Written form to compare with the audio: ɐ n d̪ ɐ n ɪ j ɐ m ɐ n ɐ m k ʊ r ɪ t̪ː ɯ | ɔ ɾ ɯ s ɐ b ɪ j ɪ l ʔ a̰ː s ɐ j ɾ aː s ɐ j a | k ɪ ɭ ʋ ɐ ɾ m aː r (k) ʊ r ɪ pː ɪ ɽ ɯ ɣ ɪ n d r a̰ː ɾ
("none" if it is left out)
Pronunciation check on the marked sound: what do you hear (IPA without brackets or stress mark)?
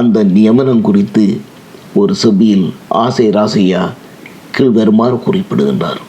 k